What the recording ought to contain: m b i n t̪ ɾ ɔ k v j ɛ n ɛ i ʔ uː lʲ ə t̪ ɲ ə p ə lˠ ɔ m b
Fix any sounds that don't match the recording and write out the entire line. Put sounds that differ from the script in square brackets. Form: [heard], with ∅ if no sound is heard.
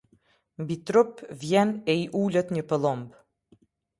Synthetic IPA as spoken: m b i [∅] t̪ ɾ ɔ [p] v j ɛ n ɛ i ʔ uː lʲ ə t̪ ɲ ə p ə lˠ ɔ m b